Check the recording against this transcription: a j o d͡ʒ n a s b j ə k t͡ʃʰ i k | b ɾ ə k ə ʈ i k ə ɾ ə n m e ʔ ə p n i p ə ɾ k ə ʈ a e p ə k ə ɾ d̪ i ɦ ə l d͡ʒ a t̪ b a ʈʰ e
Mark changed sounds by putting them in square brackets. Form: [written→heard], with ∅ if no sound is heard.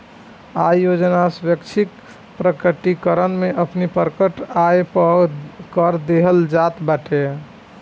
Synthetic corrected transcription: a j o d͡ʒ n a s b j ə k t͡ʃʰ i k | [b→p] ɾ ə k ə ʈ i k ə ɾ ə n m e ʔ ə p n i p ə ɾ k ə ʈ a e p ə k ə ɾ d̪ [i→e] ɦ ə l d͡ʒ a t̪ b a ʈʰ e